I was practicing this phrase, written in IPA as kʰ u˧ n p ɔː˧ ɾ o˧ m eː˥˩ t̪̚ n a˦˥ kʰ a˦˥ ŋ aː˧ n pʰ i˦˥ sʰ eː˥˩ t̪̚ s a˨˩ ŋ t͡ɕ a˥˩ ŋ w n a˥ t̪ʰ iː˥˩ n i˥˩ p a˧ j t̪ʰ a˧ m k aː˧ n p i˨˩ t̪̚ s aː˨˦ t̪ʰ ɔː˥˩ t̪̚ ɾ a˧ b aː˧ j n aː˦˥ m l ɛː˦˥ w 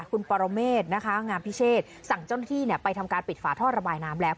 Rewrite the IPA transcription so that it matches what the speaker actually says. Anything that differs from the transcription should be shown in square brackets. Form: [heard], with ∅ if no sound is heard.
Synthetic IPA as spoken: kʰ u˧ n p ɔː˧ ɾ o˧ m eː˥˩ t̪̚ n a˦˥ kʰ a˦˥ ŋ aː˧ [m] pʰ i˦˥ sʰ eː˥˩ t̪̚ s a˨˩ ŋ t͡ɕ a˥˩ [∅] w n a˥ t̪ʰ iː˥˩ n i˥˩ p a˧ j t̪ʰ a˧ m k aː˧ n p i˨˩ t̪̚ [f] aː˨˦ t̪ʰ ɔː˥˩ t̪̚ ɾ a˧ b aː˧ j n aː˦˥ m l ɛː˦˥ w